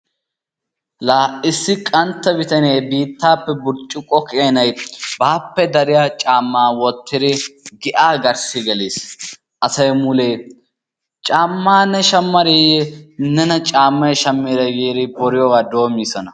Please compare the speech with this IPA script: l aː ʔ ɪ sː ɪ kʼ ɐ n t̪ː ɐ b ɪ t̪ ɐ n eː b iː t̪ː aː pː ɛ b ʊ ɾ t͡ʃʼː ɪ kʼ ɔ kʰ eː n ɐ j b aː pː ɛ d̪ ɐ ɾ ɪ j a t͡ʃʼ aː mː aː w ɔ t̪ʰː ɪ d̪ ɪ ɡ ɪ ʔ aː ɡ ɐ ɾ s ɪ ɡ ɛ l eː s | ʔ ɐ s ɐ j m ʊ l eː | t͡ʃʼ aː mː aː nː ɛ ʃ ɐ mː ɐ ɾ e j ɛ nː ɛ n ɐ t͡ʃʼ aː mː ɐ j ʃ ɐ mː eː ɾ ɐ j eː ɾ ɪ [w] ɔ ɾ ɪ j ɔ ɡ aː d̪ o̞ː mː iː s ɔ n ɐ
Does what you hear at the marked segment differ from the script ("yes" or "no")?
yes